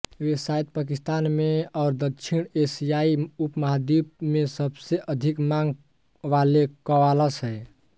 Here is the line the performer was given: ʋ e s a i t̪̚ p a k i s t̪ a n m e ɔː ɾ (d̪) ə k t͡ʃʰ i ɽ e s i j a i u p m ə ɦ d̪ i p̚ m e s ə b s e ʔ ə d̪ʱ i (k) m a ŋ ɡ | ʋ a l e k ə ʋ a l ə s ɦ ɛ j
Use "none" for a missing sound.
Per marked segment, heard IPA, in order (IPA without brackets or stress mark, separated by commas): d̪, k